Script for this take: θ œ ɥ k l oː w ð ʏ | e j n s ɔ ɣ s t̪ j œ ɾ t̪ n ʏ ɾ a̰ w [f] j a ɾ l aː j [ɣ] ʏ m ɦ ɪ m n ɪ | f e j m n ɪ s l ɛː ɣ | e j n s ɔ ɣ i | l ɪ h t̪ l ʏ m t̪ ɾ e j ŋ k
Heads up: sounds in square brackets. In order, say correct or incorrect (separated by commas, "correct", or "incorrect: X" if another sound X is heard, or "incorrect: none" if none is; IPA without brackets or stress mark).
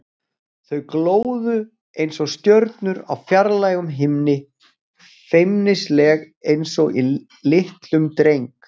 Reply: correct, correct